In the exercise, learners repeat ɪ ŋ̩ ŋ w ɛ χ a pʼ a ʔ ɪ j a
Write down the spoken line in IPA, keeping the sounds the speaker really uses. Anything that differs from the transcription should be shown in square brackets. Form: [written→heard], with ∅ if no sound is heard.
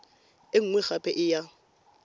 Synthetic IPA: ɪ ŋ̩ ŋ w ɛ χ a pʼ [a→ɛ] ʔ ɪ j a